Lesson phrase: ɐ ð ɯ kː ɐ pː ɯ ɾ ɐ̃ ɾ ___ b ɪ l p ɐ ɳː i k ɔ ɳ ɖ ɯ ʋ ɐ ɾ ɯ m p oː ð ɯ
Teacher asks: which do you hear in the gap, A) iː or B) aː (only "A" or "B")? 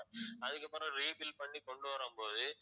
A